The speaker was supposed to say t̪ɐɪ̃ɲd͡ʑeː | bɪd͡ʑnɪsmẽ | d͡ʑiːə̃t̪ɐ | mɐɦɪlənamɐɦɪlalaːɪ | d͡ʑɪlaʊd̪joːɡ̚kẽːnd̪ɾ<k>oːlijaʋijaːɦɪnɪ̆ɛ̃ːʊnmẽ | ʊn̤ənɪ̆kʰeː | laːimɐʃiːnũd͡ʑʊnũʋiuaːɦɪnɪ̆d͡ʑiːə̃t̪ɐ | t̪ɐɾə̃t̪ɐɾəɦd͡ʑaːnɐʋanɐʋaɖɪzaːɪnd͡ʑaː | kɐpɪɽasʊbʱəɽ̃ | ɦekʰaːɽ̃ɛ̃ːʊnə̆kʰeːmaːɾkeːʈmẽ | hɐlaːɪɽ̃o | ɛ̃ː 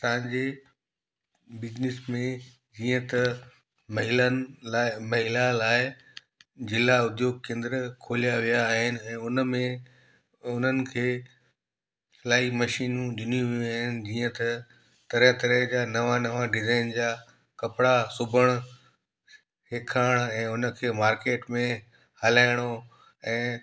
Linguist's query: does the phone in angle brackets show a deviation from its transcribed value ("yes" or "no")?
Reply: yes